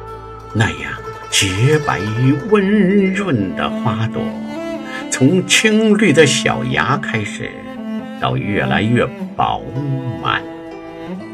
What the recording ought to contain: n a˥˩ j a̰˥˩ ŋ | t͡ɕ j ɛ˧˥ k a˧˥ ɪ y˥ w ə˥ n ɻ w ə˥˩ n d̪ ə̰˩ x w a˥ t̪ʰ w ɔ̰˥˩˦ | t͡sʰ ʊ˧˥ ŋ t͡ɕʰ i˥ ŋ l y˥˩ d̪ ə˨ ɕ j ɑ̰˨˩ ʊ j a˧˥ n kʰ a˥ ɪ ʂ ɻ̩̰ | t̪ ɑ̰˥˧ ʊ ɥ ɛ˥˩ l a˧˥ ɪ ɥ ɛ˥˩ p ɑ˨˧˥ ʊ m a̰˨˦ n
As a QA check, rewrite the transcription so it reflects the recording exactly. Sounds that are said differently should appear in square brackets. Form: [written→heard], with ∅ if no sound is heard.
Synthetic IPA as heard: n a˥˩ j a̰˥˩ ŋ | t͡ɕ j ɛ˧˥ [k→p] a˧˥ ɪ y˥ w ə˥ n ɻ w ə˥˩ n d̪ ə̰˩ x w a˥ [t̪ʰ→t̪] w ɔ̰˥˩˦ | t͡sʰ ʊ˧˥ ŋ t͡ɕʰ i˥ ŋ l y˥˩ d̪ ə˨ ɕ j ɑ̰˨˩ ʊ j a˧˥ [n→∅] kʰ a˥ ɪ ʂ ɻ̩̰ | t̪ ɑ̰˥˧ ʊ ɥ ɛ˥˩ l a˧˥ ɪ ɥ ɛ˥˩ p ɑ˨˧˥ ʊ m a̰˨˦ n